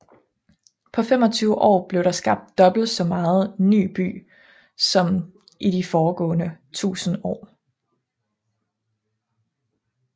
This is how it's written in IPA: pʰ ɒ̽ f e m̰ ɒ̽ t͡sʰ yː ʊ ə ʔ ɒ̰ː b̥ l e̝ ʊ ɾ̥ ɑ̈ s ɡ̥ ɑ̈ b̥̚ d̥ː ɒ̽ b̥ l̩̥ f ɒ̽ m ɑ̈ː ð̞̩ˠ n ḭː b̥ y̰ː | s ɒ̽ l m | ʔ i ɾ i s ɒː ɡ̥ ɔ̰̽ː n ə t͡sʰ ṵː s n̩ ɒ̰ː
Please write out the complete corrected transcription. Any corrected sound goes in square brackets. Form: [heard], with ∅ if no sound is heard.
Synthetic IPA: pʰ ɒ̽ f e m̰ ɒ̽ t͡sʰ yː ʊ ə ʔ ɒ̰ː b̥ l e̝ ʊ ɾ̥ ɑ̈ s ɡ̥ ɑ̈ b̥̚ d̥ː ɒ̽ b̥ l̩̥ [s] ɒ̽ m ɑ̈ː ð̞̩ˠ n [y̰ː] b̥ y̰ː | s ɒ̽ [∅] m | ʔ i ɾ i [f] ɒː ɡ̥ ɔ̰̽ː n ə t͡sʰ ṵː s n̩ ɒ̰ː